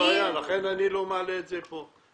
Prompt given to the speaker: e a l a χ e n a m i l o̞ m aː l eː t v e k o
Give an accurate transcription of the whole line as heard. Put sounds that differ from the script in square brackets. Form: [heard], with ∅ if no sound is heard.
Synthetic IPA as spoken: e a l a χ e n a [n] i l o̞ m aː l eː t [z] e [p] o